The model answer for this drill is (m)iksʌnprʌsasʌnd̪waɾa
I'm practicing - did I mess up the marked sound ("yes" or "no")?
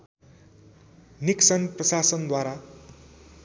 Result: yes